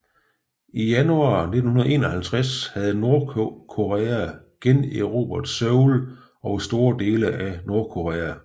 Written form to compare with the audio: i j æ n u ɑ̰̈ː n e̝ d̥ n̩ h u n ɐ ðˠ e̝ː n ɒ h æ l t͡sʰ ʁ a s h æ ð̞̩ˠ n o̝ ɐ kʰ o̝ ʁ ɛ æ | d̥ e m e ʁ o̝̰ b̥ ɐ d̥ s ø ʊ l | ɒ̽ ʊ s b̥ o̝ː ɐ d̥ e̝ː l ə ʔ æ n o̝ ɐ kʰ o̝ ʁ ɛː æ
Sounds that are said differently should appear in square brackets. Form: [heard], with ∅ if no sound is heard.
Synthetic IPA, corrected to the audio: i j æ n u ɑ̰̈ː n e̝ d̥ n̩ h u n ɐ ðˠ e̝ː n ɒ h æ l t͡sʰ ʁ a s h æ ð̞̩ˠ n o̝ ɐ kʰ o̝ ʁ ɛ æ | [ɡ̥] e [n] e ʁ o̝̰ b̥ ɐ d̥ s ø ʊ l | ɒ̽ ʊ s [d̥] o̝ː ɐ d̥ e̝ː l ə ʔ æ n o̝ ɐ kʰ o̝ ʁ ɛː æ